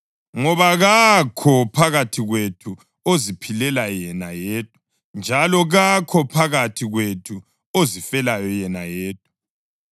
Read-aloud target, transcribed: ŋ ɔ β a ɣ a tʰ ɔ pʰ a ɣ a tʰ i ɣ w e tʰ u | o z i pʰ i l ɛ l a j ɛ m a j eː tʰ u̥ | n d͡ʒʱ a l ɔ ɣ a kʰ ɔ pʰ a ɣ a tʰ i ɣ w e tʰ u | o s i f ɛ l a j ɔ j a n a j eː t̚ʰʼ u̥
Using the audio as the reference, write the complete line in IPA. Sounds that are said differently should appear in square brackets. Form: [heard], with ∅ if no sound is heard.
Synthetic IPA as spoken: ŋ ɔ β a ɣ a [kʰ] ɔ pʰ a ɣ a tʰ i ɣ w e tʰ u | o z i pʰ i l ɛ l a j ɛ [n] a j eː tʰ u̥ | n d͡ʒʱ a l ɔ ɣ a kʰ ɔ pʰ a ɣ a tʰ i ɣ w e tʰ u | o [z] i f ɛ l a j ɔ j [ɛ] n a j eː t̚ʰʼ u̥